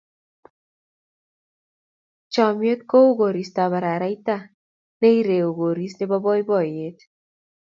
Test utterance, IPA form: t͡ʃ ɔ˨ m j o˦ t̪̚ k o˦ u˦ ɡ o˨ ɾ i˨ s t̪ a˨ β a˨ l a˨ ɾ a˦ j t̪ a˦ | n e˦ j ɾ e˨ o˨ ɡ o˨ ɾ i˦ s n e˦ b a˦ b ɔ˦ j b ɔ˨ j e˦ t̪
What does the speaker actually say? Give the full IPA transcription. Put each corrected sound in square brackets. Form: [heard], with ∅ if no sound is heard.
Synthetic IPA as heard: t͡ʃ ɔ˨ m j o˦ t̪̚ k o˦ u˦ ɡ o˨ ɾ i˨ s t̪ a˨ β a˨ [ɾ] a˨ ɾ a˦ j t̪ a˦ | n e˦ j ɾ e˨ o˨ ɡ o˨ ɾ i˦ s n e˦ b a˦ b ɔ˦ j b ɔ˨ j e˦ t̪